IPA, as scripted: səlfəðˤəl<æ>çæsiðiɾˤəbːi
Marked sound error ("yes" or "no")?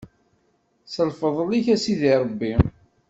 yes